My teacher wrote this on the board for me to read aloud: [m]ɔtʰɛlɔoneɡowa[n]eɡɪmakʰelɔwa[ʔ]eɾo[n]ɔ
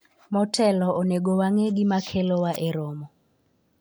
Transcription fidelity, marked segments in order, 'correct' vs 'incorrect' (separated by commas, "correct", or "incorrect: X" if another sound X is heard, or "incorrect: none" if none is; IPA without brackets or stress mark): correct, incorrect: ŋ, correct, incorrect: m